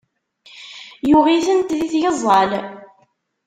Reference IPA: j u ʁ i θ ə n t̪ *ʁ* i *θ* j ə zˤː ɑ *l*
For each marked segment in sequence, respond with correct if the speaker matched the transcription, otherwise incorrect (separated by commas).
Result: incorrect, correct, correct